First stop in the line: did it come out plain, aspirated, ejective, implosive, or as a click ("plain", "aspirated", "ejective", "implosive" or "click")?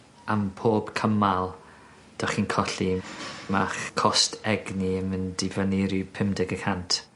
aspirated